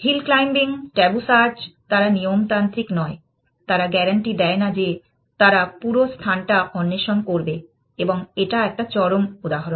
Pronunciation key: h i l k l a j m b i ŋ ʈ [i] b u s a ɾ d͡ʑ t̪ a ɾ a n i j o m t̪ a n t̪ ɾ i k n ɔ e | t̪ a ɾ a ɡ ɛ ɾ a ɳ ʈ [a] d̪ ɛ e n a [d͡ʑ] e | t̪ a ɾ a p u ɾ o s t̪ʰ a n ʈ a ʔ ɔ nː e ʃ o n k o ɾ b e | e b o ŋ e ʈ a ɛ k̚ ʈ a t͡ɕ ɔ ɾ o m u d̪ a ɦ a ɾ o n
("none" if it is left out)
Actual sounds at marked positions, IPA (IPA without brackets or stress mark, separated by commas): ɛ, i, d͡ʑ